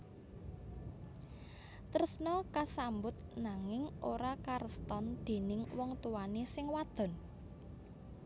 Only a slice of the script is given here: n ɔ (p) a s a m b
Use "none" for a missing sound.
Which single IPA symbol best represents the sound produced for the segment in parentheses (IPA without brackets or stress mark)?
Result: k